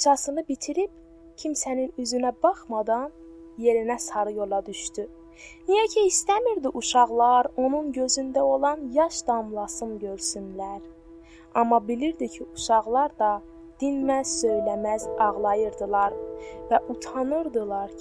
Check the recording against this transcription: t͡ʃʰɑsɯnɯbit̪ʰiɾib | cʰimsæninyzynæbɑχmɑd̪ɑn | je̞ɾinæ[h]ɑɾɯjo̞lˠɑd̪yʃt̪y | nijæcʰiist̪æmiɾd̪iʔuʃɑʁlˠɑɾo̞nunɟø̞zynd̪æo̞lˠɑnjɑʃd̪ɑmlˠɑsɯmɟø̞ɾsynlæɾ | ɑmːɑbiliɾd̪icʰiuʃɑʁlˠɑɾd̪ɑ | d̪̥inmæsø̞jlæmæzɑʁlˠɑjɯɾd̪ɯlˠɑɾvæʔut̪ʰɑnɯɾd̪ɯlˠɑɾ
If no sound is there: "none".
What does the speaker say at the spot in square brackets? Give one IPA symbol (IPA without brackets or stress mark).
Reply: s